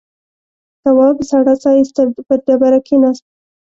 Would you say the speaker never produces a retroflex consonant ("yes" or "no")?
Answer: no